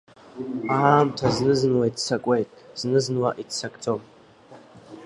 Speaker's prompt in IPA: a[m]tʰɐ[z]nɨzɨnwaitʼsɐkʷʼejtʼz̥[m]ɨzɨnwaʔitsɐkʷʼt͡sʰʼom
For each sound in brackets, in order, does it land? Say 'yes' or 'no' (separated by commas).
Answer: yes, yes, no